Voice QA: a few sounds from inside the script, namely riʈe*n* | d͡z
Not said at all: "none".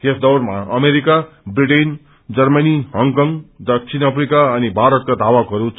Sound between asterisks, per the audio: n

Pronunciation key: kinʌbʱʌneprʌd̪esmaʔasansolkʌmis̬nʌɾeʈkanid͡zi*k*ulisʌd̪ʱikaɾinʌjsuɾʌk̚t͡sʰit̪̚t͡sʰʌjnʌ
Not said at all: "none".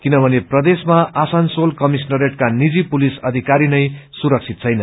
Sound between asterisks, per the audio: p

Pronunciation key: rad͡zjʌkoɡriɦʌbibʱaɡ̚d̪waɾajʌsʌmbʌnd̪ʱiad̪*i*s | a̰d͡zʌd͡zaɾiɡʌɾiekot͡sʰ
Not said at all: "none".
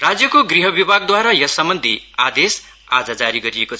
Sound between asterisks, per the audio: e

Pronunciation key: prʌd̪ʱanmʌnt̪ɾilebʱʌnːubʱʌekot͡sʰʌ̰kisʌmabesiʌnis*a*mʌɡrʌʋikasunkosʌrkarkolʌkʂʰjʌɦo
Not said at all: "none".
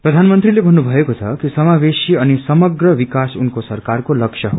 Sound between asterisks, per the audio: ʌ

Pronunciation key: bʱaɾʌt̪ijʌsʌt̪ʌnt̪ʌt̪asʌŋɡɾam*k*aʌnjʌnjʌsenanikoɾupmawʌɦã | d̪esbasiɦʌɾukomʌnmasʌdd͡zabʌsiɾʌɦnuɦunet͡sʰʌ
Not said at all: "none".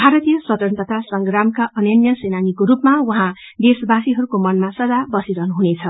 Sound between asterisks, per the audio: k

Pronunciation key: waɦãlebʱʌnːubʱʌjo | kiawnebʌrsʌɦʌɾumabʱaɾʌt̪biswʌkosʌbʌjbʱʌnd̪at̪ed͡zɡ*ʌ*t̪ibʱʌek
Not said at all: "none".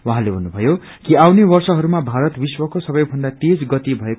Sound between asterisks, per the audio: ʌ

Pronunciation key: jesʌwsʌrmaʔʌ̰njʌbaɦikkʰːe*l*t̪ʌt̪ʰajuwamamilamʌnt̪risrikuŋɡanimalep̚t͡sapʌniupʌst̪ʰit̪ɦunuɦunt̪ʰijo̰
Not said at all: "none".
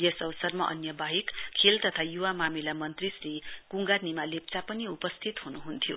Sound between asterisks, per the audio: l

